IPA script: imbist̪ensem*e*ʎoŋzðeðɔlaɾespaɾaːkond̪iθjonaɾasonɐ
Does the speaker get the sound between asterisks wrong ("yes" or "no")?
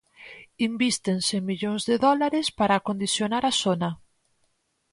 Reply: yes